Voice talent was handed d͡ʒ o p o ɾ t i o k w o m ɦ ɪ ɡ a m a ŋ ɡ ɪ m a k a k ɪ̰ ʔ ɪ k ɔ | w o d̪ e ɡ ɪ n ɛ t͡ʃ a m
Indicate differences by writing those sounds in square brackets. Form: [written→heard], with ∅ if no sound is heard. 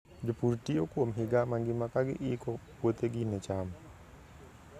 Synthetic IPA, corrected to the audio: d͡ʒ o p [o→u] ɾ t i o k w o m ɦ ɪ ɡ a m a ŋ ɡ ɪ m a k a [k→ɡ] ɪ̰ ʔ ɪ k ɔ | w o [d̪→t̪] e ɡ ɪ n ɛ t͡ʃ a m